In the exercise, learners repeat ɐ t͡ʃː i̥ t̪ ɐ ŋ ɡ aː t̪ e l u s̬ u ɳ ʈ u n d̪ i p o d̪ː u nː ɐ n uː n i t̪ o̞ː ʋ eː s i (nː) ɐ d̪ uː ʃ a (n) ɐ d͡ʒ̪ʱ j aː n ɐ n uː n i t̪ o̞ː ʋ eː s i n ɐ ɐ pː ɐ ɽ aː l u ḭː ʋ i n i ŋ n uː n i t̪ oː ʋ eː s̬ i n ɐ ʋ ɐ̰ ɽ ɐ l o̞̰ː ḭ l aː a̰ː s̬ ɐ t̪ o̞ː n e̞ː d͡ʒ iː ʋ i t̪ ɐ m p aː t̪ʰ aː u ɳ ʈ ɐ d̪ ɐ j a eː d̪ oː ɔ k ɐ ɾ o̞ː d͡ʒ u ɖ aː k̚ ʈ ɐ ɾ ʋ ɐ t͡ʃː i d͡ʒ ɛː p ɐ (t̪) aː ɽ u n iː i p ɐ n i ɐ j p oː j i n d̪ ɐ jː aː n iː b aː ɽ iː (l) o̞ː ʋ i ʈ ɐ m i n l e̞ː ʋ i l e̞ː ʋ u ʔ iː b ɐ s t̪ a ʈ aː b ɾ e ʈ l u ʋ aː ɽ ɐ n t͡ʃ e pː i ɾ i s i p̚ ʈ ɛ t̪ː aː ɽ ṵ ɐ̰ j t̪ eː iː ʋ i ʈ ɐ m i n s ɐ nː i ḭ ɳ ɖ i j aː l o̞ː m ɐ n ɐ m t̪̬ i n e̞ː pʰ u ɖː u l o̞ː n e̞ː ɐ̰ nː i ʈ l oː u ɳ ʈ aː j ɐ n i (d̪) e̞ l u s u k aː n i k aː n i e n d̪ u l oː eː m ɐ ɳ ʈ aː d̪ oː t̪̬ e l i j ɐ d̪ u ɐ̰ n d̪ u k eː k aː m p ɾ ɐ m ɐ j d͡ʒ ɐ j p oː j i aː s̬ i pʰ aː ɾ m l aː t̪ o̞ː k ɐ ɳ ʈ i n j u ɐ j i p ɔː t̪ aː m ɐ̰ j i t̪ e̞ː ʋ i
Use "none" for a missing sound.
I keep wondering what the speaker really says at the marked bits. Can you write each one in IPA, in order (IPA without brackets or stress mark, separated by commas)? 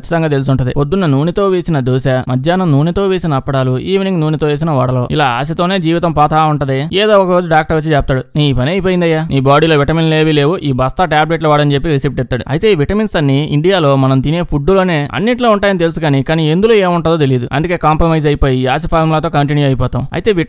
n, m, t̪, l, t̪